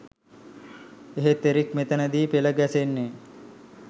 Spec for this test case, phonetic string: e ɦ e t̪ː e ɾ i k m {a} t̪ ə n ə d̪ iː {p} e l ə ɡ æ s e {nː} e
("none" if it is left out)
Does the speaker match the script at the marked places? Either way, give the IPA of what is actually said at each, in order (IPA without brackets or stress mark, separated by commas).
e, p, nː